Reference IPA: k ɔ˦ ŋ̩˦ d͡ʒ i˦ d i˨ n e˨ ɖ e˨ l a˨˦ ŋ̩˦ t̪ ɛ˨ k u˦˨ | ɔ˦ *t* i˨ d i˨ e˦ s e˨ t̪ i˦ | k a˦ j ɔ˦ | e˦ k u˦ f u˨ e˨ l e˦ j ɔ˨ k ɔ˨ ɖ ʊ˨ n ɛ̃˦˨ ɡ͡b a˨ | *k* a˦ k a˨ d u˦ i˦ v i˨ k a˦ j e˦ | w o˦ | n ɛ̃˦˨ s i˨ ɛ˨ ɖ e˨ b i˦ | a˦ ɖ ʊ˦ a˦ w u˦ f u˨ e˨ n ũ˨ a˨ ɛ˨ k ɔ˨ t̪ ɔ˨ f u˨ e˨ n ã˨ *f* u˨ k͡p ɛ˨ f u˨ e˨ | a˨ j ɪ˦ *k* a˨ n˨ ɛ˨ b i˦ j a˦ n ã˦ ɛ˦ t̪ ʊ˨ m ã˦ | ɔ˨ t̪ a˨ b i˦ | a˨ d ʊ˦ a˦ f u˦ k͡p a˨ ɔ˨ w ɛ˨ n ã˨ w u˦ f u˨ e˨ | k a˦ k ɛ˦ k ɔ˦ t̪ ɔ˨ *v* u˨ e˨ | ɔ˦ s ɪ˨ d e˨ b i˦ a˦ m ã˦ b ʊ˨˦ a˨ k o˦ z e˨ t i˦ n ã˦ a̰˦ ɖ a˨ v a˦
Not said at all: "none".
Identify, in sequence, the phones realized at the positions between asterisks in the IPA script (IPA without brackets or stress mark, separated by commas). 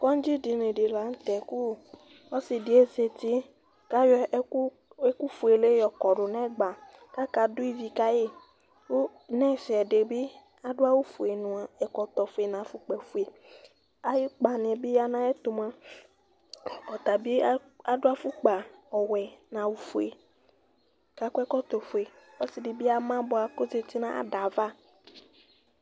s, k, f, k͡p, f